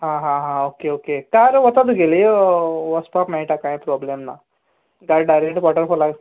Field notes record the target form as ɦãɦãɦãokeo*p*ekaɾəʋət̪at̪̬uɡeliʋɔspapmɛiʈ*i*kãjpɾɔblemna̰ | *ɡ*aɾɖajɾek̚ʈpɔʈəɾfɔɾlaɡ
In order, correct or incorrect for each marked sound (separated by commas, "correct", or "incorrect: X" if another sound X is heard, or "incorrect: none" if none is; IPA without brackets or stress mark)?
incorrect: k, incorrect: a, correct